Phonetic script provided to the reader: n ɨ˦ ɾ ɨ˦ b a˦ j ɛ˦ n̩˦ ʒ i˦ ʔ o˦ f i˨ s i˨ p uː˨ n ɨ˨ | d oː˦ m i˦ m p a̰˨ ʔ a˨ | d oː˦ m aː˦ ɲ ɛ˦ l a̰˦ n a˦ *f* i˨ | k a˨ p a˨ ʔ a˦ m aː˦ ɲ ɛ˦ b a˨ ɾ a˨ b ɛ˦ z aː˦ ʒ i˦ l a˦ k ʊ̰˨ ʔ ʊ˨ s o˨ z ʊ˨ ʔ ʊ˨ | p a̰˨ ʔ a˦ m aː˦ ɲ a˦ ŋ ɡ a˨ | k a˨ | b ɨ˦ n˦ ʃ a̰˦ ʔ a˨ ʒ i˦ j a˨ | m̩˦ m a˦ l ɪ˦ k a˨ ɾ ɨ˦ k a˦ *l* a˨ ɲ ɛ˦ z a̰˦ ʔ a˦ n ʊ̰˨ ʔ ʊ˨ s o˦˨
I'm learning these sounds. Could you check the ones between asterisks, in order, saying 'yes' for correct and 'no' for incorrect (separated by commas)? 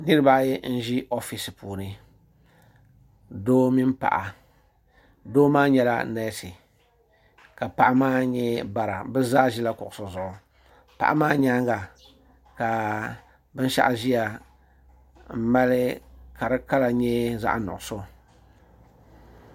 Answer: no, yes